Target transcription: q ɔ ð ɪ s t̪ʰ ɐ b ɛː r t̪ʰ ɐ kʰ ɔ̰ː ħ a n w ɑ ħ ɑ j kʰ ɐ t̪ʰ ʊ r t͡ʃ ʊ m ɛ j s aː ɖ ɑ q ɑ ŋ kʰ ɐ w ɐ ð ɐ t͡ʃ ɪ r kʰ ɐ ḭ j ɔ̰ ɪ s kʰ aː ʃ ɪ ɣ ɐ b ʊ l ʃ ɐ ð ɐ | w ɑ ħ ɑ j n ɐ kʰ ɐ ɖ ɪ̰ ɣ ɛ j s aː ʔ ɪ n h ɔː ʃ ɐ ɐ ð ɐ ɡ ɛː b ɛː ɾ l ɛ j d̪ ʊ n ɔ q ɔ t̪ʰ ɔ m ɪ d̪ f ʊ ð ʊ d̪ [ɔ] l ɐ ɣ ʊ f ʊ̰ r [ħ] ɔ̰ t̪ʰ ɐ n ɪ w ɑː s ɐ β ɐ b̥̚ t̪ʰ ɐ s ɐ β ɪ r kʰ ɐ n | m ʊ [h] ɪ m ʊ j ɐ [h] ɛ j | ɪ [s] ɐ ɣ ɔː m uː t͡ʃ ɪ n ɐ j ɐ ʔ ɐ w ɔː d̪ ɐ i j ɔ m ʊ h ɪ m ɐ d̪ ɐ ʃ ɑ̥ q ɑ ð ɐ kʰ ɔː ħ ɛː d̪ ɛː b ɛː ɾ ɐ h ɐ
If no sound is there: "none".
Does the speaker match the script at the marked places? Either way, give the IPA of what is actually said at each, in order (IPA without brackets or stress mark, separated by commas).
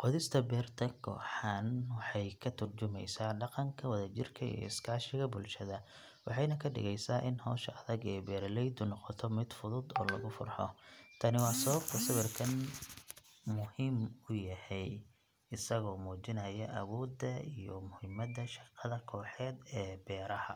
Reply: ɔː, ħ, h, h, s